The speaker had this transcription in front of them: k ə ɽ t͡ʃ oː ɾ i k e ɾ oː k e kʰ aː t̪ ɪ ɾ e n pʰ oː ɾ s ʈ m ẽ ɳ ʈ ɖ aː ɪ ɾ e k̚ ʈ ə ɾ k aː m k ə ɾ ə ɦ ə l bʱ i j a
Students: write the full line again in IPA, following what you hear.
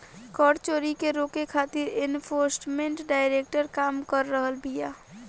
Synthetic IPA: k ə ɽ t͡ʃ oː ɾ i k e ɾ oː k e kʰ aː t̪ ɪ ɾ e n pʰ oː ɾ s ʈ m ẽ ɳ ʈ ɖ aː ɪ ɾ e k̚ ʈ ə ɾ k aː m k ə ɾː ə ɦ ə l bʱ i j a